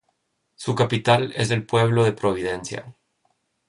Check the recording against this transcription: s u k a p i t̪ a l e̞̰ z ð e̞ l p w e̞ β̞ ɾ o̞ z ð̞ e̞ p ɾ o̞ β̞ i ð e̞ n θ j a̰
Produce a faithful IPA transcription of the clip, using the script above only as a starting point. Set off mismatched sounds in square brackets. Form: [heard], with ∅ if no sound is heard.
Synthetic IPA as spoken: s u k a p i t̪ a l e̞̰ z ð e̞ l p w e̞ β̞ [l] o̞ [∅] ð̞ e̞ p ɾ o̞ β̞ i ð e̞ n [s] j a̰